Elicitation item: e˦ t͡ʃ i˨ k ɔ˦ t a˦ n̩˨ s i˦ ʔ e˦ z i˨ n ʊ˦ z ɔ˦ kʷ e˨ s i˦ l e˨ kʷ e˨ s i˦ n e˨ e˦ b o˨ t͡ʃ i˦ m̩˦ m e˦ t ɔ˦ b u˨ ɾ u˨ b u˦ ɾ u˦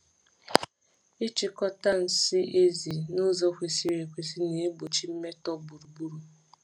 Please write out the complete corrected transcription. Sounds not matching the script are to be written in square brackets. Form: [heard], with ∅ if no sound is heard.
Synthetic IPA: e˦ t͡ʃ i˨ k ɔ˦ t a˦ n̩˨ s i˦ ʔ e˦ z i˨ n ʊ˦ z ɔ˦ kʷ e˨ s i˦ [ɾ] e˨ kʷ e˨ s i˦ n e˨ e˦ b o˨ t͡ʃ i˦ m̩˦ m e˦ t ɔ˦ b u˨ ɾ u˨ b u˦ ɾ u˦